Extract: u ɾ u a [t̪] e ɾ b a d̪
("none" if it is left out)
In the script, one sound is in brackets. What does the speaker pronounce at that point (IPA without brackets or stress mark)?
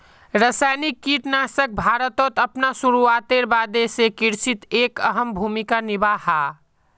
t̪